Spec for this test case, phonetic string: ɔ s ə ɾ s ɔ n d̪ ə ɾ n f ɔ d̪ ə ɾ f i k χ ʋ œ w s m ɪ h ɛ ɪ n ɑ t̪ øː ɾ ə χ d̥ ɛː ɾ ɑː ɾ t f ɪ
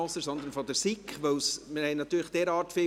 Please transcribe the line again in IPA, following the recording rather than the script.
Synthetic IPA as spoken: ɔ s ə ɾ s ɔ n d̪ ə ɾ n f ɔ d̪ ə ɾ s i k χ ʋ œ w s m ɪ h ɛ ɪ n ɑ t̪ yː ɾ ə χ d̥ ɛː ɾ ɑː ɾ t f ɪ